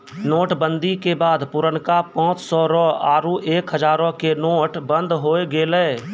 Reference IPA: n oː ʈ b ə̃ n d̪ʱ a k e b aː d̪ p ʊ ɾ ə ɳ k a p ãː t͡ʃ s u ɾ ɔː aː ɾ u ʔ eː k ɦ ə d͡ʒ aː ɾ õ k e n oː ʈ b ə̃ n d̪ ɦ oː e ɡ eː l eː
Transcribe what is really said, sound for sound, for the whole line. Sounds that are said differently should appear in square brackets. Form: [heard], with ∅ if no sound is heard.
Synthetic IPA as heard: n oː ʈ b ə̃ n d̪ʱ [i] k e b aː d̪ p ʊ ɾ ə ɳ k a p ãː t͡ʃ s [ɔ] ɾ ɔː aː ɾ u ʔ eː k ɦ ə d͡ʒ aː ɾ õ k e n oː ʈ b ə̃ n d̪ ɦ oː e ɡ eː l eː